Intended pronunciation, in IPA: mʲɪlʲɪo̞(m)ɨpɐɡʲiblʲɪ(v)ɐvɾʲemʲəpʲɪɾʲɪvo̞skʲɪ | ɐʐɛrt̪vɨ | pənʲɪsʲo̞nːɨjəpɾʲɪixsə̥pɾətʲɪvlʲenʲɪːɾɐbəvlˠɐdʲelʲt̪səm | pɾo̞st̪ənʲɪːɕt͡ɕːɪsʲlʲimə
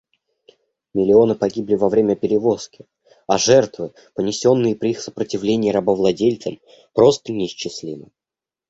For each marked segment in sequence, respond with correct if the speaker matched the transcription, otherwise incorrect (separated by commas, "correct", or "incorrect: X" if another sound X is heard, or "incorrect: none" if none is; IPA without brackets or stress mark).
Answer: incorrect: n, correct